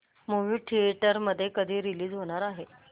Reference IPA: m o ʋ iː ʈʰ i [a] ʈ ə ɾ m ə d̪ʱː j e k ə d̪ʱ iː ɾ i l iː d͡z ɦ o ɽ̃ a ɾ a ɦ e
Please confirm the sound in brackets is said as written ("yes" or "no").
no